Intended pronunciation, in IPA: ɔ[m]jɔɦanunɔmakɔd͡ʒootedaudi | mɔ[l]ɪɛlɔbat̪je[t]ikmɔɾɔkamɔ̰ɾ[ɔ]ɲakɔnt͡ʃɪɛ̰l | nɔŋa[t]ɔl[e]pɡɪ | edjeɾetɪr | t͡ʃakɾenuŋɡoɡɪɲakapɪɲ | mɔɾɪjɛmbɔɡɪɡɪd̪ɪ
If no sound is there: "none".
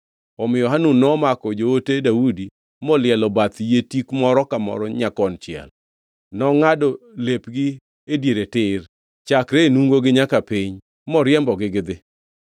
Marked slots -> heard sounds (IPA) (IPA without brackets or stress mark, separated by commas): m, l, t, ɔ, d, e